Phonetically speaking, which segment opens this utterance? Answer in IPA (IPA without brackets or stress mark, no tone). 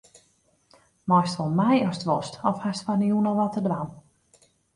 m